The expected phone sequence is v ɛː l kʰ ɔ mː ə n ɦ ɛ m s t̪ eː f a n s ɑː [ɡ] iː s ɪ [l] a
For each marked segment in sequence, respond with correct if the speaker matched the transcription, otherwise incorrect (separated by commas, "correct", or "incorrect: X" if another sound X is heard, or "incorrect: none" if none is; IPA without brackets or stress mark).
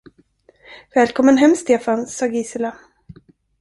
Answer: correct, correct